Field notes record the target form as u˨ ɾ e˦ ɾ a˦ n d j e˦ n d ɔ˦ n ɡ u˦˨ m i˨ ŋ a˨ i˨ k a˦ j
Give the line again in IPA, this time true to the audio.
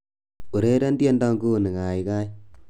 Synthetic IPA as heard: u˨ ɾ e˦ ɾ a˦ n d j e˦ n d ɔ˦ ŋ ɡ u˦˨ n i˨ ŋ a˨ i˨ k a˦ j